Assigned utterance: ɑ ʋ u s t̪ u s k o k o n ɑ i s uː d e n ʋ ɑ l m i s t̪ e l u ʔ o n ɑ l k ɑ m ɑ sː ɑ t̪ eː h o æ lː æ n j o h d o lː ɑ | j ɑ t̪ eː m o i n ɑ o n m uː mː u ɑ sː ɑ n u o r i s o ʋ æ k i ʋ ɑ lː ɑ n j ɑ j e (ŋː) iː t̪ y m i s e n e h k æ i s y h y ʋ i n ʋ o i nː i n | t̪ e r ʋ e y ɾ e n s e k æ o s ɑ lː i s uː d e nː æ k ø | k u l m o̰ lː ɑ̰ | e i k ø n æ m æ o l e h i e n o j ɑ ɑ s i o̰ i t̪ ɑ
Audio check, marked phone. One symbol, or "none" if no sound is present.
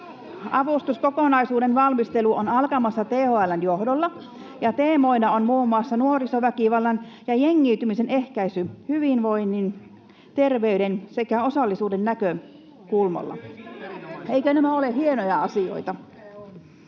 ŋː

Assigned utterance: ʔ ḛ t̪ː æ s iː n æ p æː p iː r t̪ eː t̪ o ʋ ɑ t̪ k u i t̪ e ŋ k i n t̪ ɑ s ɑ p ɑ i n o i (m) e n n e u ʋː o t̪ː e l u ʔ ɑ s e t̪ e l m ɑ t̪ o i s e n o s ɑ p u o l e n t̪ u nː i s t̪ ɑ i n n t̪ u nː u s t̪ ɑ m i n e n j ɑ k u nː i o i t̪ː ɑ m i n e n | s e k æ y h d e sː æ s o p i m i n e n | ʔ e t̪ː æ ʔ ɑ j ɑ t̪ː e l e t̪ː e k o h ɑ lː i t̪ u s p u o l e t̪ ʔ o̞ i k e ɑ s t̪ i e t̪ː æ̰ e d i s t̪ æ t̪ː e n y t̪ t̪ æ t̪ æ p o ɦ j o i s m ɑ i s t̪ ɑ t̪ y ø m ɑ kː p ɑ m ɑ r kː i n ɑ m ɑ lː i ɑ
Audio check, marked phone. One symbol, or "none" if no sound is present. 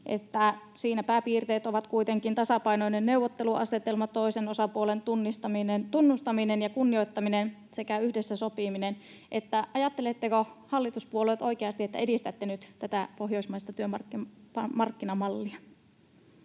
n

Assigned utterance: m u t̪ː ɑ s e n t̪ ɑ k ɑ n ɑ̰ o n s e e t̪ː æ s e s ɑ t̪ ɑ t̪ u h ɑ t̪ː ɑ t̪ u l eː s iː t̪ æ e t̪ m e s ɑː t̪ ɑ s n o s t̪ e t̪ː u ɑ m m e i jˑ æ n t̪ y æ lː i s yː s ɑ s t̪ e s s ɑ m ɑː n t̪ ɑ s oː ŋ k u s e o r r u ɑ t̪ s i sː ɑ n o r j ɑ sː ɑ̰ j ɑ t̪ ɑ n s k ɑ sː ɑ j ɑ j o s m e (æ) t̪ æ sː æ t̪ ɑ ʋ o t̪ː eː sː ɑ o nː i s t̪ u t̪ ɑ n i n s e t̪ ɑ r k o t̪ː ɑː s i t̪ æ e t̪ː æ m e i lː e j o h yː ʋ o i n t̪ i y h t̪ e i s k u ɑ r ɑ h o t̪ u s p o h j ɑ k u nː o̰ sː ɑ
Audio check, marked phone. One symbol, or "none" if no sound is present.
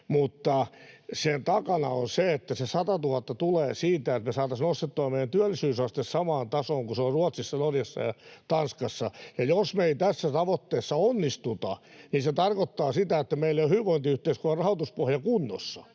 i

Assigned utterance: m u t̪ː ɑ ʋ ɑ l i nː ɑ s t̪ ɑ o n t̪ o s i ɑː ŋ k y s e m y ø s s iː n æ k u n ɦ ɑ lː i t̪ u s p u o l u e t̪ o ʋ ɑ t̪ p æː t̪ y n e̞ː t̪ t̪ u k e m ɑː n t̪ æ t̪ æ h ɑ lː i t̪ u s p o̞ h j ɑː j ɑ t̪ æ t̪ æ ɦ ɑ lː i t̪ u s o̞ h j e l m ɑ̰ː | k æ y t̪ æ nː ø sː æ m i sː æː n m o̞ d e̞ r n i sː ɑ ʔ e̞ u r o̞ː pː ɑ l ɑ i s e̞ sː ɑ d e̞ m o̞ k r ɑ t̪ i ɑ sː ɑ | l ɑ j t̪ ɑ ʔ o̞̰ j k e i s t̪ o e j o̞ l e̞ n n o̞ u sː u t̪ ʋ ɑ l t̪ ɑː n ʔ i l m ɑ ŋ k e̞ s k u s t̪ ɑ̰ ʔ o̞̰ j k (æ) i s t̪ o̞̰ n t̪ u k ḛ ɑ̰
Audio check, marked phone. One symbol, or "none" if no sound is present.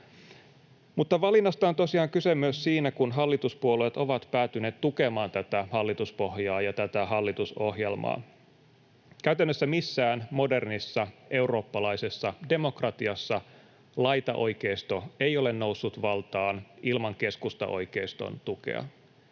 e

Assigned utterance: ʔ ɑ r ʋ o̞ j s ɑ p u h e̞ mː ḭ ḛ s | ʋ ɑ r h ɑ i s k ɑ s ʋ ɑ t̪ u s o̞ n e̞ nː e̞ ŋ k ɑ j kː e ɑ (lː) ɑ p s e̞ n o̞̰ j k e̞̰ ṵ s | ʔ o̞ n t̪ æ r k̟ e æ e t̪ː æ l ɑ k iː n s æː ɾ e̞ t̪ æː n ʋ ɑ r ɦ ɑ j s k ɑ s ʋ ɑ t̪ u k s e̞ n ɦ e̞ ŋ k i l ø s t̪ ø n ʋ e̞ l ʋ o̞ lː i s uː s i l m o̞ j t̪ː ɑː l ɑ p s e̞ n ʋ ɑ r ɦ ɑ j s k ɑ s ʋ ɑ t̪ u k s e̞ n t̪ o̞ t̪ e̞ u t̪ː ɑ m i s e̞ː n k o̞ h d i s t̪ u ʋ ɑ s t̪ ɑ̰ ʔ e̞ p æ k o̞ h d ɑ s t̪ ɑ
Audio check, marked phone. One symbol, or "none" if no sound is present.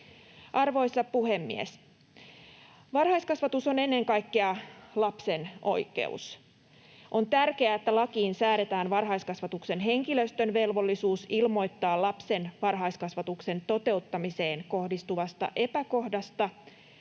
l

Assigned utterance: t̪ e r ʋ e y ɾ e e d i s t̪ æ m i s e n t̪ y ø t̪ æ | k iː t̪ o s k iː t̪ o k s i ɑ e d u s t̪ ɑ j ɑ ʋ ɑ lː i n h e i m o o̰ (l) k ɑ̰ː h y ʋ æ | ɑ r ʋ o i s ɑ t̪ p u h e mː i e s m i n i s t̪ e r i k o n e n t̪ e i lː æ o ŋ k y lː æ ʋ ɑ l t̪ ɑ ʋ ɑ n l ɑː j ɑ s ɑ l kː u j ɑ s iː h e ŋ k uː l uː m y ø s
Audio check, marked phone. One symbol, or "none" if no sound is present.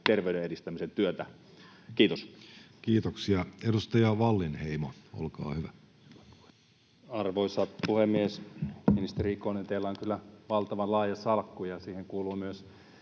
l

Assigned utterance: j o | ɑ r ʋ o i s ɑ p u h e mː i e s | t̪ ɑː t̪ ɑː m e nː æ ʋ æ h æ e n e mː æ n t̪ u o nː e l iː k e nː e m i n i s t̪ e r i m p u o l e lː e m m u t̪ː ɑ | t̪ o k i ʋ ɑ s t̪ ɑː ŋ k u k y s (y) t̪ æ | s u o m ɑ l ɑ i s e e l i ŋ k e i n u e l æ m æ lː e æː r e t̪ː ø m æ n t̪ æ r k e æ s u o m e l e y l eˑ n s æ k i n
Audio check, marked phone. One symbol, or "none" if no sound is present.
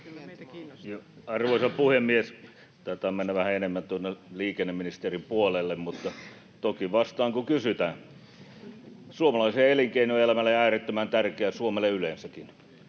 y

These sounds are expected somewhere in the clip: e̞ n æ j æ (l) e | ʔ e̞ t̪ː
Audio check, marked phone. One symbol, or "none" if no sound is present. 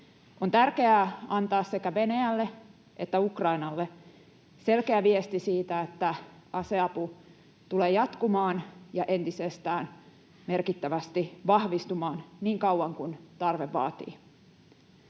lː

